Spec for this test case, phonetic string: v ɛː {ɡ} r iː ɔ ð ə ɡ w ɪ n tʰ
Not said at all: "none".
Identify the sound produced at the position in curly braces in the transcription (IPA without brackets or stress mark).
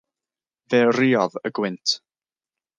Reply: none